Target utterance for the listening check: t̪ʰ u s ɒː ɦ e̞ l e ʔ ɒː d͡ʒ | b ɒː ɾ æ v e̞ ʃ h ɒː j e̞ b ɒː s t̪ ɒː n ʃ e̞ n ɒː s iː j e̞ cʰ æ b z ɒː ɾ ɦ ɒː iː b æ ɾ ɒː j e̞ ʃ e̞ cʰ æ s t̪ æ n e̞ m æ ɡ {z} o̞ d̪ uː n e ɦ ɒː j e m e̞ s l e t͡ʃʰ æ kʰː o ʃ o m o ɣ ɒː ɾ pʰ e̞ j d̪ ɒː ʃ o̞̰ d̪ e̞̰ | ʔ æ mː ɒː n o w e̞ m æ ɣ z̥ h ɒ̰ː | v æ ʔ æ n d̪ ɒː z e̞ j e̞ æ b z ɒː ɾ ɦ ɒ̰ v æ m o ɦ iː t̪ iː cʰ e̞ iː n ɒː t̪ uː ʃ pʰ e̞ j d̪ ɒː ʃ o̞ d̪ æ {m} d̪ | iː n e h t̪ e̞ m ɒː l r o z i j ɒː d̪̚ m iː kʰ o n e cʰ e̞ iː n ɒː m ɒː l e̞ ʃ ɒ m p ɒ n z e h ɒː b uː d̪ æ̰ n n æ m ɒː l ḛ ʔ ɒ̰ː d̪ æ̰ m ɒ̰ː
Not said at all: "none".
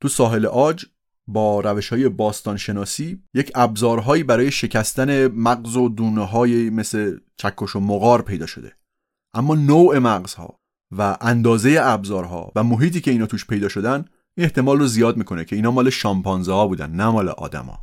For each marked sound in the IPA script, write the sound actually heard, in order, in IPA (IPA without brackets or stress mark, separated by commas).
z, n